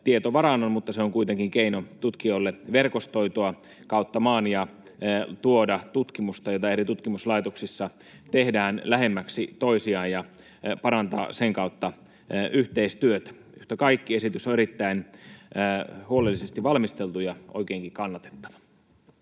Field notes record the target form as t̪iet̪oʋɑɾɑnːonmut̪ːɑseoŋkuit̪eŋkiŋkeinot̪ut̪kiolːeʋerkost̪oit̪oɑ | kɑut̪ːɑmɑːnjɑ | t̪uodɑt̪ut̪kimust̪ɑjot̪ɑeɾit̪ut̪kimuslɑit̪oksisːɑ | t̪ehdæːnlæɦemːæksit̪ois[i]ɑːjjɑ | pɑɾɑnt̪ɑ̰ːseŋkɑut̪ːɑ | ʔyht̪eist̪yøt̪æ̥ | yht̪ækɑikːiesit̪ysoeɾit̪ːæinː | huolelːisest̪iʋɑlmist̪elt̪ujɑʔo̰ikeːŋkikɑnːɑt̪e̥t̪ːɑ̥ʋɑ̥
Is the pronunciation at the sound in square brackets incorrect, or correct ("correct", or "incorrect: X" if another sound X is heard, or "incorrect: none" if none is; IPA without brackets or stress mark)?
correct